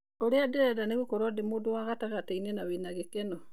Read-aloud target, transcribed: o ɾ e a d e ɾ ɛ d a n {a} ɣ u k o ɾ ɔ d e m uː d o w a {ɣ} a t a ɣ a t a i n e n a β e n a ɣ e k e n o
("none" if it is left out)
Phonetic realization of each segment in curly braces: e, ɣ

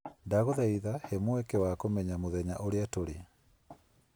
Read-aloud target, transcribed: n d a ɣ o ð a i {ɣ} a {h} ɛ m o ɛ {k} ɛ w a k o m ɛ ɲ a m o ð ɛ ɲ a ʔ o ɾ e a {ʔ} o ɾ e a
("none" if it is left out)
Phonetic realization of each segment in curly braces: ð, h, k, t

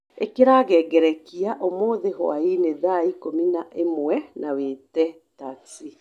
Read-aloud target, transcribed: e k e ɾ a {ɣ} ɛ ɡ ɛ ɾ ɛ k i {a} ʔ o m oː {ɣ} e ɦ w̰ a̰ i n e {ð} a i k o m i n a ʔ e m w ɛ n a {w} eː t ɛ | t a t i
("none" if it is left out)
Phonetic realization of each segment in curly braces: ɣ, a, ð, ð, w

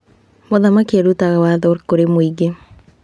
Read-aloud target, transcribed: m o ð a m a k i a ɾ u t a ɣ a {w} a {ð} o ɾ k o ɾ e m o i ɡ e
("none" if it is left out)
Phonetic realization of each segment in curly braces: w, ð

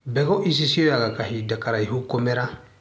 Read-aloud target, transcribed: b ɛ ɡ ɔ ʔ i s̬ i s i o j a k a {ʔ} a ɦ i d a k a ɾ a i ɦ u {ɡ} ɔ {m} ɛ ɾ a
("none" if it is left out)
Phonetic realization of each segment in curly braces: k, k, m

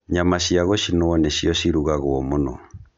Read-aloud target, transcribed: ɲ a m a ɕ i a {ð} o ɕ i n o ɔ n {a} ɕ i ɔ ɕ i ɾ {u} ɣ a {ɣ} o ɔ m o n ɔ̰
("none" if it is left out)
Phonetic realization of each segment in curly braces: ɣ, e, u, ɣ

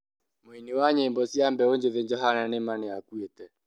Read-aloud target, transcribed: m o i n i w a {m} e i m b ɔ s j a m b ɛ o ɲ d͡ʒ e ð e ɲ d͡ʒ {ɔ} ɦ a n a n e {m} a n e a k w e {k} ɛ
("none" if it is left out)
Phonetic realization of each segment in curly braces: ɲ, ɔ, m, t

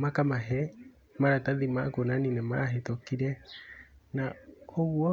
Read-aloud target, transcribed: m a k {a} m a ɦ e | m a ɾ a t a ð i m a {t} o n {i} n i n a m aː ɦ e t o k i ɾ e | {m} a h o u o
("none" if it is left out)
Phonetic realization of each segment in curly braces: a, k, a, n

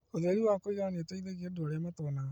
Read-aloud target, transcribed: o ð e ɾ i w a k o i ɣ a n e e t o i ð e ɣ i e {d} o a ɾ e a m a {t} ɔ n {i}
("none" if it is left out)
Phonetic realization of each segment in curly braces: d, t, a

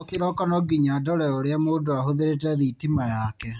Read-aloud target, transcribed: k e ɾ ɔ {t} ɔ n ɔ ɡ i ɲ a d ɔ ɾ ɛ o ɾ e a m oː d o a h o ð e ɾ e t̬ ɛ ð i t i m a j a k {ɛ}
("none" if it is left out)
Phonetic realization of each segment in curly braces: k, ɛ

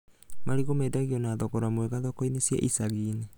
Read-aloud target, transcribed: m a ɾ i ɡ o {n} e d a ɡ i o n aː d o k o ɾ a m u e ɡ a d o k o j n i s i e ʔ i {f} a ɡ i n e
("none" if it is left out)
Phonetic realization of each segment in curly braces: m, s

